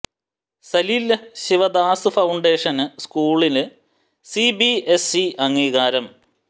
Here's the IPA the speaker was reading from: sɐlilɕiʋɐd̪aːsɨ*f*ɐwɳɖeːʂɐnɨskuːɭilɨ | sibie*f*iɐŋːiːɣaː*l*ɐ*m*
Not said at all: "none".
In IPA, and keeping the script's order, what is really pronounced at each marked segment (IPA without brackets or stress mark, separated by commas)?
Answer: f, s, ɾ, m